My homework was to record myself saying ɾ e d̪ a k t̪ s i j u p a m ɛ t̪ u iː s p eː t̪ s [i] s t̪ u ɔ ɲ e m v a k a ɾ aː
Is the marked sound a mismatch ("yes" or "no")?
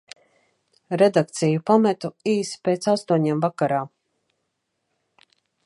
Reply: yes